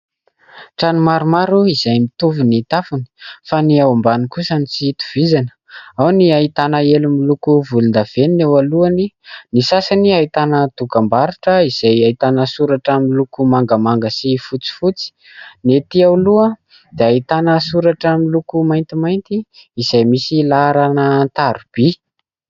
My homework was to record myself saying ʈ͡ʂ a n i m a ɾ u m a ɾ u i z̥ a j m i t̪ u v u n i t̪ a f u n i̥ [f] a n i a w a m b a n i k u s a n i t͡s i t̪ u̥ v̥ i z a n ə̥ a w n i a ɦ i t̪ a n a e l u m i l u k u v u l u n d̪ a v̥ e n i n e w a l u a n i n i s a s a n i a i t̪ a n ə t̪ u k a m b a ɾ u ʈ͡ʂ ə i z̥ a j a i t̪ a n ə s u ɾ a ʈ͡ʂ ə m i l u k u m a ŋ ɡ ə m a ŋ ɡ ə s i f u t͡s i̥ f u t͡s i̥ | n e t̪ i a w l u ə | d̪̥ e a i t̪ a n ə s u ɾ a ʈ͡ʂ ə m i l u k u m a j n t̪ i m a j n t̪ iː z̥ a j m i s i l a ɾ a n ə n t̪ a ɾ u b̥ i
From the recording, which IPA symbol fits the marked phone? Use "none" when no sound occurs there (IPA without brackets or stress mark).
f